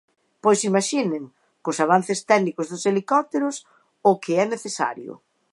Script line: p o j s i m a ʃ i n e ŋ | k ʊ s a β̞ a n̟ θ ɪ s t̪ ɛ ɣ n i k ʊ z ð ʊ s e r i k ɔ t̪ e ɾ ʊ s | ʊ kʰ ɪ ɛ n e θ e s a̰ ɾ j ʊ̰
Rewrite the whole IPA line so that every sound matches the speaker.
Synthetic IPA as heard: p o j s i m a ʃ i n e ŋ | k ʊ s a β̞ a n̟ θ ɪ s t̪ ɛ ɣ n i k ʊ z ð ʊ s e l i k ɔ t̪ e ɾ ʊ s | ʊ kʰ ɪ ɛ n e θ e s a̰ ɾ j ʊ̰